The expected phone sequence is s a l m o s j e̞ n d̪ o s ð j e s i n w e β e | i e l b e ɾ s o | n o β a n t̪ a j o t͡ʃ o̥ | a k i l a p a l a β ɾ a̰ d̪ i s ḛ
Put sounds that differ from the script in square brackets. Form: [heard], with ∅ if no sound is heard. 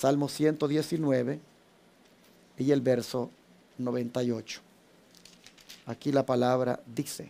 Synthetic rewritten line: s a l m o s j e̞ n [t̪] o [∅] ð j e s i n w e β e | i e l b e ɾ s o | n o β [e] n t̪ a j o t͡ʃ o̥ | a k i l a p a l a β ɾ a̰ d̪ i s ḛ